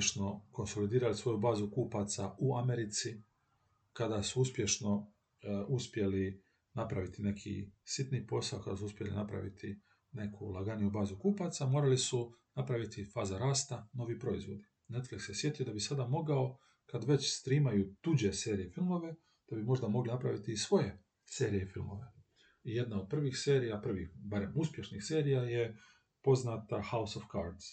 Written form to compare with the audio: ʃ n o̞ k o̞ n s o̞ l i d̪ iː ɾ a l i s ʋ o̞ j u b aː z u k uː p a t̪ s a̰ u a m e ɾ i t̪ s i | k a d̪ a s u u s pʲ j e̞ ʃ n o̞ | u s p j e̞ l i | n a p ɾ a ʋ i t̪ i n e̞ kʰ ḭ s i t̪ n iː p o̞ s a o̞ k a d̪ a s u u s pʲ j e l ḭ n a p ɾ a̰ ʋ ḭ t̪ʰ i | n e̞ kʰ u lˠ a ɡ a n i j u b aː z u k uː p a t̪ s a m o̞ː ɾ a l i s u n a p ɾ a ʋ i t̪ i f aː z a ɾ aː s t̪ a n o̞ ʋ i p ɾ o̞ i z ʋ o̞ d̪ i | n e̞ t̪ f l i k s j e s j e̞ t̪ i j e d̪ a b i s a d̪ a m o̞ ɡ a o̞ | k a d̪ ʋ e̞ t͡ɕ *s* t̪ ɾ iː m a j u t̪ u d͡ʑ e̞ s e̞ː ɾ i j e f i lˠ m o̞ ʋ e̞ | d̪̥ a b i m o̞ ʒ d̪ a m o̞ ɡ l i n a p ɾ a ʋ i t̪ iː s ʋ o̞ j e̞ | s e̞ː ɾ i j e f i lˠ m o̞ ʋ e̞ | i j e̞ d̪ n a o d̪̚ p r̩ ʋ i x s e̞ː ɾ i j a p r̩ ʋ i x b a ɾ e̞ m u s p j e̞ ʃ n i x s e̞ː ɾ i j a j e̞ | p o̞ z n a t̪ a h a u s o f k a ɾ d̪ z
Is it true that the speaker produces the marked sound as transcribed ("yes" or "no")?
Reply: yes